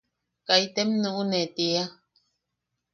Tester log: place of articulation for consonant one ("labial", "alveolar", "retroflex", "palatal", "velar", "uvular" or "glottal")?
velar